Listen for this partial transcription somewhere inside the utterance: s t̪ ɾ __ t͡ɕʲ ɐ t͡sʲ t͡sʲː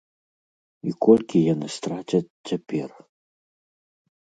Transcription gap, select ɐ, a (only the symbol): a